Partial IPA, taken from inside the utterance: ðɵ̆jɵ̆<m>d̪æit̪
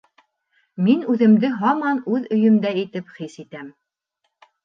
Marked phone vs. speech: correct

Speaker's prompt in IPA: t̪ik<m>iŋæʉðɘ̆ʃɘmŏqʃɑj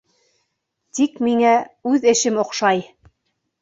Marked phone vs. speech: correct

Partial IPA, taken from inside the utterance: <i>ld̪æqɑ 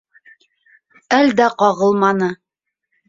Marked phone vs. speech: incorrect: æ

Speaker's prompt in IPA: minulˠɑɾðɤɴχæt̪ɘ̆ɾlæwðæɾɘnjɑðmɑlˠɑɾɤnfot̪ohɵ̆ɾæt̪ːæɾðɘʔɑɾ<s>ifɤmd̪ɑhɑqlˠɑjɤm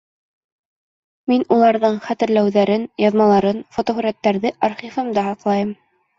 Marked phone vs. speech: incorrect: χ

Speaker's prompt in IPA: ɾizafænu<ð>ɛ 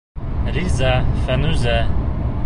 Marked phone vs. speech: incorrect: z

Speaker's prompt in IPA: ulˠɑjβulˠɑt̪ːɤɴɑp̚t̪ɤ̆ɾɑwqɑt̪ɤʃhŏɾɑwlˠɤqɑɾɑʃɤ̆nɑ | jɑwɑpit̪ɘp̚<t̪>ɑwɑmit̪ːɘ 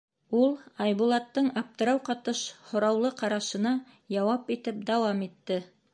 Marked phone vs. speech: incorrect: d̪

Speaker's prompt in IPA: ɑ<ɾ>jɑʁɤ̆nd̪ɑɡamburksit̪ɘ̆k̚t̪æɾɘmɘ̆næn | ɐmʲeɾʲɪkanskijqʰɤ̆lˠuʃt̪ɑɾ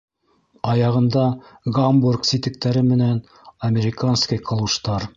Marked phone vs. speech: incorrect: none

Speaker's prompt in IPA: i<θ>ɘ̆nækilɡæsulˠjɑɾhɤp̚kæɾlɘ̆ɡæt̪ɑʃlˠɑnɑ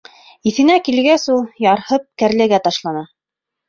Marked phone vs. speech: correct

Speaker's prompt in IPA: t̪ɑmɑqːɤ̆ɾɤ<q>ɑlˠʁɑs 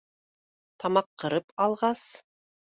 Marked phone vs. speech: incorrect: p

